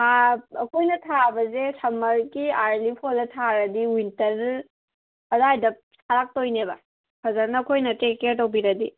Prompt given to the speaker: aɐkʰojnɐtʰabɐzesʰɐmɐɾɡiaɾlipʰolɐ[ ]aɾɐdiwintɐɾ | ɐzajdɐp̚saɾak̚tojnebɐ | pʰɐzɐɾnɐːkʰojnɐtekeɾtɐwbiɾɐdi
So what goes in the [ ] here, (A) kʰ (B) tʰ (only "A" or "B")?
B